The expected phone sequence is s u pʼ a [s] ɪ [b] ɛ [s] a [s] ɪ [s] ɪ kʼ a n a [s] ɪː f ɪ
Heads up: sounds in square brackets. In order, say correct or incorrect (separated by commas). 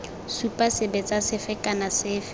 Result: correct, correct, incorrect, correct, incorrect, correct